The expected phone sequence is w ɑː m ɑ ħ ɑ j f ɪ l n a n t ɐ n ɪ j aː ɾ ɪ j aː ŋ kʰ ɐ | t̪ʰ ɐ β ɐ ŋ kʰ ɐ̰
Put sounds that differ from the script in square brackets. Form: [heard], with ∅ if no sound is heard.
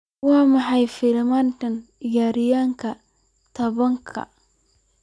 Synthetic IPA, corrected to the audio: w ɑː m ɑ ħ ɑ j f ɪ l [m] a n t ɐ n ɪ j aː ɾ ɪ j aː ŋ kʰ ɐ | t̪ʰ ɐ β ɐ ŋ kʰ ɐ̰